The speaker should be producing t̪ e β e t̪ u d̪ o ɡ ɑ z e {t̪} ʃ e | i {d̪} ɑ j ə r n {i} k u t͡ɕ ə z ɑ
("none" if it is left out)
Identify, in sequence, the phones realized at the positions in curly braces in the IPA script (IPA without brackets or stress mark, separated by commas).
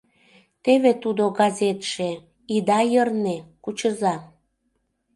t̪, d̪, e